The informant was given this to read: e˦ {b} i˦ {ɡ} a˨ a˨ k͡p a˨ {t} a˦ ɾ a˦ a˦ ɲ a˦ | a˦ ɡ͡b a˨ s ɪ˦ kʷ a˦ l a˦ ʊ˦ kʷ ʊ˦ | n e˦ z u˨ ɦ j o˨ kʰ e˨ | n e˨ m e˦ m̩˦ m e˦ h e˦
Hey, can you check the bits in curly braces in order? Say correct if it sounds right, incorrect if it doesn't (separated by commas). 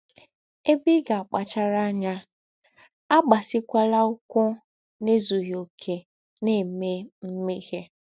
correct, correct, incorrect